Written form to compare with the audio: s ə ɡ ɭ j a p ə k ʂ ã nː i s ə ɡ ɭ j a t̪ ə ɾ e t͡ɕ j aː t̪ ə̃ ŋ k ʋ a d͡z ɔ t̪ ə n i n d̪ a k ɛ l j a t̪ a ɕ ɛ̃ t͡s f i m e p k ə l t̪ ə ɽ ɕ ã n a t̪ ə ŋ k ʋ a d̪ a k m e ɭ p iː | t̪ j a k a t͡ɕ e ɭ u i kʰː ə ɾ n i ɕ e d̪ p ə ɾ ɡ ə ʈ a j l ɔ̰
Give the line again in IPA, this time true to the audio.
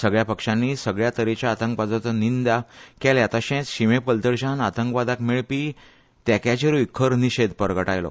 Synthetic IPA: s ə ɡ ɭ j a p ə k ʂ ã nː i s ə ɡ ɭ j a t̪ ə ɾ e t͡ɕ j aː t̪ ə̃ ŋ k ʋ a d͡z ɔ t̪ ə n i n d̪ a k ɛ l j a t̪ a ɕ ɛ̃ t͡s ɕ i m e p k ə l t̪ ə ɾ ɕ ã n a t̪ ə ŋ k ʋ a d̪ a k m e ɭ p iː | t̪ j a k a t͡ɕ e ɾ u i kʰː ə ɾ n i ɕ e d̪ p ə ɾ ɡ ə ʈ a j l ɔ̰